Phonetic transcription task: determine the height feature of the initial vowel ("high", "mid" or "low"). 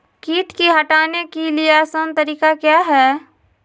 high